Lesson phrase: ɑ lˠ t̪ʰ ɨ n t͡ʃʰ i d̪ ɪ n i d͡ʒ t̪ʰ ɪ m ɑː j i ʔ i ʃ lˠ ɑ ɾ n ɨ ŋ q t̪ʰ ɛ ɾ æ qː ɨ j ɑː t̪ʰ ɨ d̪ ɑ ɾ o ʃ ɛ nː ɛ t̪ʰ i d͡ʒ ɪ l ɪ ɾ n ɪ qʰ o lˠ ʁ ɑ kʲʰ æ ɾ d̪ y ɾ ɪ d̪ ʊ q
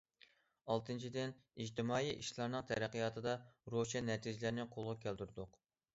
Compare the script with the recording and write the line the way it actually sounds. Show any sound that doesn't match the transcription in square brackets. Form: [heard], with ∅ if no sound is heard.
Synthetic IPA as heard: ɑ lˠ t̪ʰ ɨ n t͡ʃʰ i d̪ ɪ n i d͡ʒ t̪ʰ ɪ m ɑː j i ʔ i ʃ lˠ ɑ ɾ n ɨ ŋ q t̪ʰ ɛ ɾ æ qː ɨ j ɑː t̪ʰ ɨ d̪ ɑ ɾ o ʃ ɛ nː ɛ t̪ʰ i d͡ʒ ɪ l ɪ ɾ n ɪ qʰ o lˠ ʁ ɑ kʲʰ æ [l] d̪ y ɾ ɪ d̪ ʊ q